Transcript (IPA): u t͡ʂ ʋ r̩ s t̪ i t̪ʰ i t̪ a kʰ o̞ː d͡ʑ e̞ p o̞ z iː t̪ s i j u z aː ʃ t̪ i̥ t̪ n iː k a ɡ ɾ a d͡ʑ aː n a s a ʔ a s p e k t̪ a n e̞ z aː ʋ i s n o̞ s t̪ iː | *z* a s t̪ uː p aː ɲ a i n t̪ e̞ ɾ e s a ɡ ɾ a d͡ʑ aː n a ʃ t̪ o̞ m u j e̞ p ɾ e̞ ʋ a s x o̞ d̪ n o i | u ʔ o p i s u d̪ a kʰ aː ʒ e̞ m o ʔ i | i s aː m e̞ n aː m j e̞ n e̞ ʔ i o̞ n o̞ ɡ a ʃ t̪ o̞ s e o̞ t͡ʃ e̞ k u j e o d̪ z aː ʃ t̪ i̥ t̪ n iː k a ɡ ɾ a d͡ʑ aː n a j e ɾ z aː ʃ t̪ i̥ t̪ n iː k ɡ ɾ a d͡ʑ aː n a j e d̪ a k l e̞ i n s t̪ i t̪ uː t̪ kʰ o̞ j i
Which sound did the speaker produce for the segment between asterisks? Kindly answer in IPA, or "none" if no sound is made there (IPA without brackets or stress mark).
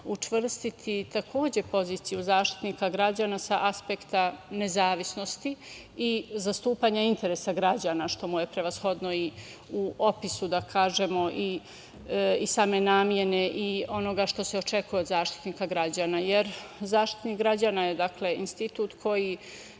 z